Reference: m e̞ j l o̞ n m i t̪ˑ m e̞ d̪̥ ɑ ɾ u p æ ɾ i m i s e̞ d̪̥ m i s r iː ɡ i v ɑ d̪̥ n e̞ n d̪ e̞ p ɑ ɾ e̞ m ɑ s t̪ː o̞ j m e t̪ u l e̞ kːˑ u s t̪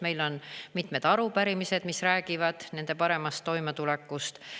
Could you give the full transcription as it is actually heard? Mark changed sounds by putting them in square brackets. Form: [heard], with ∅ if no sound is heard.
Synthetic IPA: m e̞ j l o̞ n m i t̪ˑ m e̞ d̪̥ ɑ ɾ u p æ ɾ i m i s e̞ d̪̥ m i s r [æː] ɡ i v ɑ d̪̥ n e̞ n d̪ e̞ p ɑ ɾ e̞ m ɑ s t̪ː o̞ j m e t̪ u l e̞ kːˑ u s t̪

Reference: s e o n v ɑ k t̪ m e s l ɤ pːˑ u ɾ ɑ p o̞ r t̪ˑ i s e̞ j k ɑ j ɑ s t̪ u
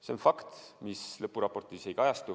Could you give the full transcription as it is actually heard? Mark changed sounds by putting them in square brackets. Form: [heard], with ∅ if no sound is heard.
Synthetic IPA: s e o n [f] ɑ k t̪ m [i] s l ɤ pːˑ u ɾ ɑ p o̞ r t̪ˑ i s e̞ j k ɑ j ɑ s t̪ u

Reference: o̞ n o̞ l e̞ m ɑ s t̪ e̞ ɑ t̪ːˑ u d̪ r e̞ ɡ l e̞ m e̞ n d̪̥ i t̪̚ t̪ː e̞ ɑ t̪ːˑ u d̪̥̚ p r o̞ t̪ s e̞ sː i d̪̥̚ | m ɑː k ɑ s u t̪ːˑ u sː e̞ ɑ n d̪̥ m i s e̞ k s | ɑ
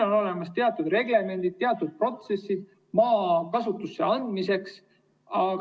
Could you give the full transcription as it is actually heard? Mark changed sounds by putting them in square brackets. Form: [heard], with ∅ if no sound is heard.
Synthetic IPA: o̞ n o̞ l e̞ m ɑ s t̪ e̞ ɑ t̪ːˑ u d̪ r e̞ ɡ l e̞ m e̞ n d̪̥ i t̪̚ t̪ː e̞ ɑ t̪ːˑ u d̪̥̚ p r o̞ t̪ s e̞ sː i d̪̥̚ | m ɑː k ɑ s u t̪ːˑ u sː e̞ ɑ n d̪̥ m i s e̞ k s | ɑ

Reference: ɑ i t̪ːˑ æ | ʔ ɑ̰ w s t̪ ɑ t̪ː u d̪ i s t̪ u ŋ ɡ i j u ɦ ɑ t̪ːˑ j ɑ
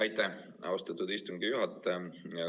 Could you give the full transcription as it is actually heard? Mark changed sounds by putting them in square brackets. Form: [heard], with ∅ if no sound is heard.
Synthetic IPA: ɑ [j] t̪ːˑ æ | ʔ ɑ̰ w s t̪ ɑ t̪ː u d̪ i s t̪ u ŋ ɡ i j u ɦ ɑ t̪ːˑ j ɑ

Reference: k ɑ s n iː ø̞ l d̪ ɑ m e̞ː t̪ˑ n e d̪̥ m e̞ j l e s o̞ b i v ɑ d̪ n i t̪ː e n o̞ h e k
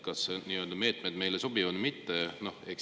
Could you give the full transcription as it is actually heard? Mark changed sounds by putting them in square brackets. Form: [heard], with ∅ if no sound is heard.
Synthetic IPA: k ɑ s n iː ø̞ l d̪ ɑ m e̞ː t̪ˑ [m] e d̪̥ m e̞ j l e s o̞ b i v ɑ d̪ [m] i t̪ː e n o̞ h e k

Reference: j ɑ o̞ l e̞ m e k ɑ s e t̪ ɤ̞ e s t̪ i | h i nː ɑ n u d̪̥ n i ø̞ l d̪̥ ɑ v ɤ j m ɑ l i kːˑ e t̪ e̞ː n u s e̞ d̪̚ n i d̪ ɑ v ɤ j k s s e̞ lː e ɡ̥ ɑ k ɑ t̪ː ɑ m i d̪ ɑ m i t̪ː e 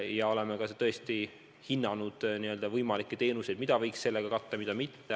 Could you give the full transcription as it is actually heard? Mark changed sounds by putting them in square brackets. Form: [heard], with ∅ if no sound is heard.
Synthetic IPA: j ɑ o̞ l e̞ m e k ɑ s e t̪ ɤ̞ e s t̪ i | h i nː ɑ n u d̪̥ n i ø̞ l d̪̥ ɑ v ɤ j m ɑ l i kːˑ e t̪ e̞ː n u s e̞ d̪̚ [m] i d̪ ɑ v ɤ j k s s e̞ lː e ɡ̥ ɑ k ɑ t̪ː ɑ m i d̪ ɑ m i t̪ː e

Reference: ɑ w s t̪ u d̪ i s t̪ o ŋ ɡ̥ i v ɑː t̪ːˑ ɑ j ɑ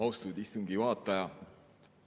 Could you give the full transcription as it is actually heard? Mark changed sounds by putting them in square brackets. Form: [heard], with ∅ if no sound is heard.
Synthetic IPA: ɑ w s t̪ u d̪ i s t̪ [u] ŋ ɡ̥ i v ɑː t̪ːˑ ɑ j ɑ

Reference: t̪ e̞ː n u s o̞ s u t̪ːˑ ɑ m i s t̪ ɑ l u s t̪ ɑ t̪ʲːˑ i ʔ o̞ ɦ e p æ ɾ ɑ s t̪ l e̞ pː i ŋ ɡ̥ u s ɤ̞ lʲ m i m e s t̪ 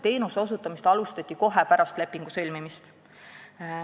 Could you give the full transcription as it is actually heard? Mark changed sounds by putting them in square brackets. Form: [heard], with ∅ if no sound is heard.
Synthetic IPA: t̪ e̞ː n u s o̞ s u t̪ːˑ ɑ m i s t̪ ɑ l u s t̪ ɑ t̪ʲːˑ i [k] o̞ ɦ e p æ ɾ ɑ s t̪ l e̞ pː i ŋ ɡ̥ u s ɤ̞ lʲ m i m [i] s t̪

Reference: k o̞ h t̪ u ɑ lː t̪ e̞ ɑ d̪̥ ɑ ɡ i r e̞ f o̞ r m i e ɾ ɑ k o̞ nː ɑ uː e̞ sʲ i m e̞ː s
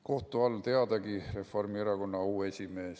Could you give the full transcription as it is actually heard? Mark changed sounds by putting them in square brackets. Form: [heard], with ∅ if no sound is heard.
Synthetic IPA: k o̞ h t̪ u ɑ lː t̪ e̞ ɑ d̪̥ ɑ ɡ i r e̞ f o̞ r m i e ɾ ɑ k o̞ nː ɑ uː e̞ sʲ i m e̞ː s

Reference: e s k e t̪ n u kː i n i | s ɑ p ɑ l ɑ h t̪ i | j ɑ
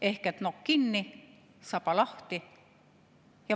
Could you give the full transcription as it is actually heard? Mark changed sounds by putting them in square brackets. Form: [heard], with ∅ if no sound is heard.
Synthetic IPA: e [h] k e t̪ n [o] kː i [nː] i | s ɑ p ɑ l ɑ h t̪ i | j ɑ

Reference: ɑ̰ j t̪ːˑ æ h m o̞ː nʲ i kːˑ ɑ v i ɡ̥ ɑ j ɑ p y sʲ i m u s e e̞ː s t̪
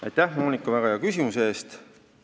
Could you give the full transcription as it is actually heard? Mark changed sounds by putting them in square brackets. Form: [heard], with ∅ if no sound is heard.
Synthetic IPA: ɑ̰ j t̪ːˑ æ h m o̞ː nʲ i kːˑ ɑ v [æ] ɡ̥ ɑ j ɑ [k] y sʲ i m u s e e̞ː s t̪

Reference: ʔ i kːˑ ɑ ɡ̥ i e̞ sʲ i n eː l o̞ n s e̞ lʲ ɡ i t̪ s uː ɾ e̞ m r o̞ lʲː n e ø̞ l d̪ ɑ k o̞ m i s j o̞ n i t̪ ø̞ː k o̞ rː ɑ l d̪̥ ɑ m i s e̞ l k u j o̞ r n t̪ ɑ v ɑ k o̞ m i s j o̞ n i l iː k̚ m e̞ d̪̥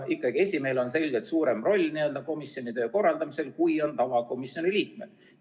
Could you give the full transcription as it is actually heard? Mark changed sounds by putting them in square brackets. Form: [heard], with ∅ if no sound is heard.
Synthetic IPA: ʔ i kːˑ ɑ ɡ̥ i e̞ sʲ i [m] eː l o̞ n s e̞ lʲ ɡ [e] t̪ s uː ɾ e̞ m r o̞ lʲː n [i] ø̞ l d̪ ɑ k o̞ m i s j o̞ n i t̪ ø̞ː k o̞ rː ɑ l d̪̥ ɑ m i s e̞ l k u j o̞ [∅] n t̪ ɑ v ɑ k o̞ m i s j o̞ n i l iː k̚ m e̞ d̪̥

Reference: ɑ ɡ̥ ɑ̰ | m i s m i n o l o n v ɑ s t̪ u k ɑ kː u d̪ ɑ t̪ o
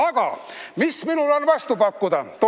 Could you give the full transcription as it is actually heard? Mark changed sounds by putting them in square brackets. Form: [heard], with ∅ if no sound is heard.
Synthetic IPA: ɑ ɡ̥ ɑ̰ | m i s m i n [u] l o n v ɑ s t̪ u [p] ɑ kː u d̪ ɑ t̪ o

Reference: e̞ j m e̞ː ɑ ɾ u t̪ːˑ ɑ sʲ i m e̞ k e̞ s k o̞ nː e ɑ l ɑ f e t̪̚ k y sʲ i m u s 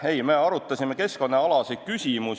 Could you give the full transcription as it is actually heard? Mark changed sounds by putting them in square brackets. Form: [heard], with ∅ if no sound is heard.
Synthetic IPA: e̞ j m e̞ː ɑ ɾ u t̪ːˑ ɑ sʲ i m e̞ k e̞ s k o̞ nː e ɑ l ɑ [s] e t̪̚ k y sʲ i m u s

